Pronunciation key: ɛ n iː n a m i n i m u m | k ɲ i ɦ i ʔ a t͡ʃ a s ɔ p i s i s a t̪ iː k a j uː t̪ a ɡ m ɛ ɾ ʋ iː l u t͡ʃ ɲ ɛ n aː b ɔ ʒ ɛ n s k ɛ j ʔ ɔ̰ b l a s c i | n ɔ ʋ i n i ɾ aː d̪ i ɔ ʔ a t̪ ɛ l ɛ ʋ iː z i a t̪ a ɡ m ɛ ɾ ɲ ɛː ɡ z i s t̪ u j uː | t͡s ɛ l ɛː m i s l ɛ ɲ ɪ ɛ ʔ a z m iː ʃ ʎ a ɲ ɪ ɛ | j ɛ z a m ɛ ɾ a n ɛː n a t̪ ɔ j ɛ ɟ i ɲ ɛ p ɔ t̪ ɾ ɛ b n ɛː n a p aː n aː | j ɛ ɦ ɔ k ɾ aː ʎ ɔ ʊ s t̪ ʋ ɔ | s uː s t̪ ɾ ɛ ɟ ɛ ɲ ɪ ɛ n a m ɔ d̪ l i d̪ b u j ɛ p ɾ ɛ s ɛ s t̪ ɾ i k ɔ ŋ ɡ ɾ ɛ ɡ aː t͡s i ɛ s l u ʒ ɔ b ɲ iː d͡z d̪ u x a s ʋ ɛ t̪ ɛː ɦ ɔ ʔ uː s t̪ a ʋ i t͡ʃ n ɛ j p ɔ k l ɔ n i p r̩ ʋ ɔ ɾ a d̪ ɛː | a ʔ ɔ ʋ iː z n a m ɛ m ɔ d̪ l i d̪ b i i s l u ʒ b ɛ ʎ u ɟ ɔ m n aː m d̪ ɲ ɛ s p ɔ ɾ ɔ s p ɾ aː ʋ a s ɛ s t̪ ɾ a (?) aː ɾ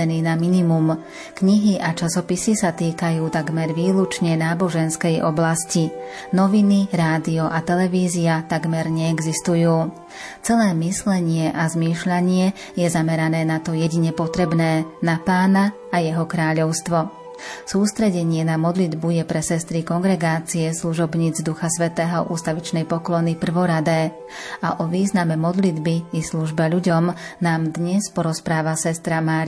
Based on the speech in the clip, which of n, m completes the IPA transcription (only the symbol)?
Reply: m